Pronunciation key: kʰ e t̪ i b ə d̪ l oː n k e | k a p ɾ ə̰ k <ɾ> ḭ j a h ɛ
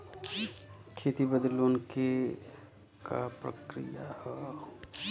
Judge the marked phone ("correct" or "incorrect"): correct